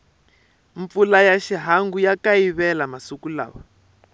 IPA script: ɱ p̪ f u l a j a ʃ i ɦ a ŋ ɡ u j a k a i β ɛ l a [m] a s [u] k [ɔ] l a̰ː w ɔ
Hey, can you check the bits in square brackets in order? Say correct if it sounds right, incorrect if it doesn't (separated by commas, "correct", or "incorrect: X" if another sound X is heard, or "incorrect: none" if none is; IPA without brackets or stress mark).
correct, correct, incorrect: u